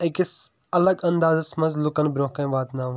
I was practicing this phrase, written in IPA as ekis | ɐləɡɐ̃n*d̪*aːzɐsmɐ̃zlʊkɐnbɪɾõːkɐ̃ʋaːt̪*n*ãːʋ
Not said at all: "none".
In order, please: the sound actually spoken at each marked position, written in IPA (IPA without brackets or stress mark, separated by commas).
d̪, n